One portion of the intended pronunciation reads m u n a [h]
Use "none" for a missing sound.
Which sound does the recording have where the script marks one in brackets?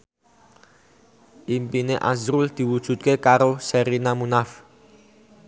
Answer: f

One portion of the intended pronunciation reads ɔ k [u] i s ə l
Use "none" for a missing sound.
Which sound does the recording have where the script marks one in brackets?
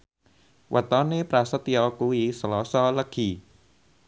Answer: u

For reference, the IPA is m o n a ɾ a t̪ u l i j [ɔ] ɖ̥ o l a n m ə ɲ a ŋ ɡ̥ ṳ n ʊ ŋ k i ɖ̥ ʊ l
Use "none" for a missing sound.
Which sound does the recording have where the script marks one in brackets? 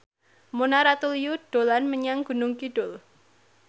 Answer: u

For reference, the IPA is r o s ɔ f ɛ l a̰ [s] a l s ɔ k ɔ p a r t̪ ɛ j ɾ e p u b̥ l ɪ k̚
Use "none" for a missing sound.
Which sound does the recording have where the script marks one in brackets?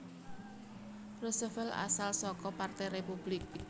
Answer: s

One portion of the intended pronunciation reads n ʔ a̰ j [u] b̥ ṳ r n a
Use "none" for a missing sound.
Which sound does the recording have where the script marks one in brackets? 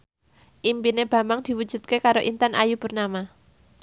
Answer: u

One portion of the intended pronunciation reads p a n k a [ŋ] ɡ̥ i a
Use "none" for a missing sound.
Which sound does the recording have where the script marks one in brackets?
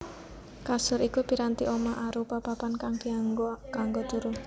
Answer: ŋ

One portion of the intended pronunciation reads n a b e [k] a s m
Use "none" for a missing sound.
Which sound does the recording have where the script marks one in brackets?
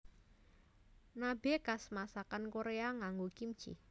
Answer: k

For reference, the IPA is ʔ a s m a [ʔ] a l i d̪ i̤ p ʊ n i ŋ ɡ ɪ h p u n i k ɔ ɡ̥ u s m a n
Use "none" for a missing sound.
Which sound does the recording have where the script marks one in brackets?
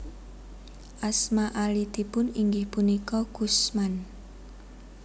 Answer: ʔ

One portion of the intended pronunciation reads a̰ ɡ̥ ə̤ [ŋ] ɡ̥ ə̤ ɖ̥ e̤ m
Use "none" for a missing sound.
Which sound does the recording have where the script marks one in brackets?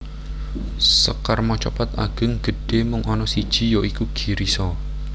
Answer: ŋ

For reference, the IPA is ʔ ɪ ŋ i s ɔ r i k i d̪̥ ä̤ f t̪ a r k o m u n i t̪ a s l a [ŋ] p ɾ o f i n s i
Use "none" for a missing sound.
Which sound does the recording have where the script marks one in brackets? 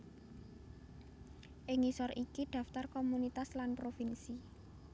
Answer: n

